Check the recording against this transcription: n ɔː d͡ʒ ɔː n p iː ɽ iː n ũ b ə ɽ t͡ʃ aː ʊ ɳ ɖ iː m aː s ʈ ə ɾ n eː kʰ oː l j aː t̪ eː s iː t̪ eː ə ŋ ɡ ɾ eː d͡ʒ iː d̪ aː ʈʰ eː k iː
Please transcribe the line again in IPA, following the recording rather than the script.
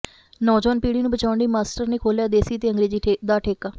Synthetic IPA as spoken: n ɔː d͡ʒ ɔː n p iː ɽ iː n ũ b ə t͡ʃ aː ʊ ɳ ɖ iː m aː s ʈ ə ɾ n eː kʰ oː l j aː d̪ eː s iː t̪ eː ə ŋ ɡ ɾ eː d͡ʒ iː d̪ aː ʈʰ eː k aː